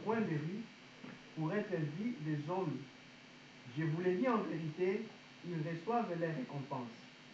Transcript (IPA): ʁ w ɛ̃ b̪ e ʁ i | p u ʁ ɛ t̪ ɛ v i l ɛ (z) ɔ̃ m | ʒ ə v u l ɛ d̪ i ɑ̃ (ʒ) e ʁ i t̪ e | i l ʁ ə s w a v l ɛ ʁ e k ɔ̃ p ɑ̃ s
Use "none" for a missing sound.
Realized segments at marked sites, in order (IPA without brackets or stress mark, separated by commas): z, v